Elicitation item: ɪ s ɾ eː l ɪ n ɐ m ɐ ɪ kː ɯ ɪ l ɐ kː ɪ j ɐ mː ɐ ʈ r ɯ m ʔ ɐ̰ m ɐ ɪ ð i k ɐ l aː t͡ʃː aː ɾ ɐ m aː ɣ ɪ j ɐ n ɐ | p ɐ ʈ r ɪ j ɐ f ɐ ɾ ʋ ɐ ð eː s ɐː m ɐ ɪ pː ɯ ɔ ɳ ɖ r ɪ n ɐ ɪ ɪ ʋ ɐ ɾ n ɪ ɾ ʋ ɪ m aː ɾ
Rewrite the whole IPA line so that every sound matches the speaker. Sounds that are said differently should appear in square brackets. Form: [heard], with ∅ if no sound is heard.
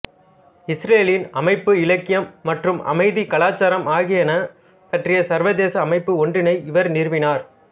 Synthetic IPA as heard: ɪ s ɾ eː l ɪ n ɐ m ɐ ɪ [pː] ɯ ɪ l ɐ kː ɪ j ɐ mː ɐ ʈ r ɯ m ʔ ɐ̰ m ɐ ɪ ð i k ɐ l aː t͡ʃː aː ɾ ɐ m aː ɣ ɪ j ɐ n ɐ | p ɐ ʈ r ɪ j ɐ [s] ɐ ɾ ʋ ɐ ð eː s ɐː m ɐ ɪ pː ɯ ɔ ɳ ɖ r ɪ n ɐ ɪ ɪ ʋ ɐ ɾ n ɪ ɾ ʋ ɪ [n] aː ɾ